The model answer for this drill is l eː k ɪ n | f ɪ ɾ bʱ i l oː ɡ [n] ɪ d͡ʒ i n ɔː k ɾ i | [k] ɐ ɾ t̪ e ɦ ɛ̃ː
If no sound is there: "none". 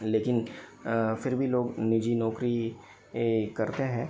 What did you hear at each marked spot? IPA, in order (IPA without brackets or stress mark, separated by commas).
n, k